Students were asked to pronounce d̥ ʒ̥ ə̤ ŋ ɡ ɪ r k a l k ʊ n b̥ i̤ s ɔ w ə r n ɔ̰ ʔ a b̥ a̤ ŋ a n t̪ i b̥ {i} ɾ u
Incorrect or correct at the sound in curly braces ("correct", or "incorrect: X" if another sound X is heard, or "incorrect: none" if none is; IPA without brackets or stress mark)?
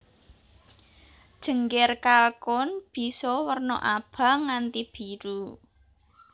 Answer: correct